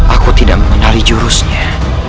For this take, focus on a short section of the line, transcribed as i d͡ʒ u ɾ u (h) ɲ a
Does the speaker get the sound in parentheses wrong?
yes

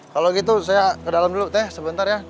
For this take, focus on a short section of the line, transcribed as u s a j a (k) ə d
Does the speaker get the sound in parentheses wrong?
no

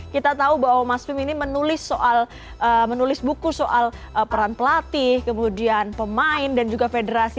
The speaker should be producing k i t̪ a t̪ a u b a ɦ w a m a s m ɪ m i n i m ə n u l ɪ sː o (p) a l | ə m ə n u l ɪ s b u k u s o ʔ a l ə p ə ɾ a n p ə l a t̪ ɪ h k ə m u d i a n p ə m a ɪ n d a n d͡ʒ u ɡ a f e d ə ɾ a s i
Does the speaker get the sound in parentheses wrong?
yes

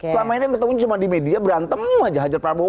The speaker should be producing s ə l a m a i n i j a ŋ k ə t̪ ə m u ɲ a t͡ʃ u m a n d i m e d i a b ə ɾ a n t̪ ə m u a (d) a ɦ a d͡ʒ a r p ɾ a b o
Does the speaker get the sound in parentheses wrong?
yes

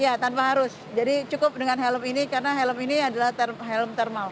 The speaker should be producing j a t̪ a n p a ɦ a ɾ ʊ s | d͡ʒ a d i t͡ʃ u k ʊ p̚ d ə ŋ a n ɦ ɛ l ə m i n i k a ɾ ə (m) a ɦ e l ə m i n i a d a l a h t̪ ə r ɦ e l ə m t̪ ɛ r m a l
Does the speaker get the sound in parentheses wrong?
yes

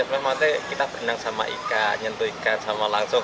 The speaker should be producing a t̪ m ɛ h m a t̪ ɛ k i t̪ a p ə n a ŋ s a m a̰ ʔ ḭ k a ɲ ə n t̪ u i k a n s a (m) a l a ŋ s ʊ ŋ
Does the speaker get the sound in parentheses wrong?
no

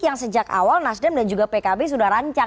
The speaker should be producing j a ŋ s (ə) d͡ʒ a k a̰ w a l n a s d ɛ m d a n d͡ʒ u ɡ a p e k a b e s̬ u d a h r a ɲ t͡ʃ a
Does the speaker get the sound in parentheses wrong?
no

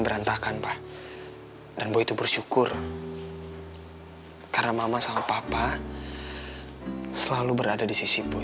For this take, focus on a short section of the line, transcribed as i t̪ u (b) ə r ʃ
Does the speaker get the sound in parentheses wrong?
no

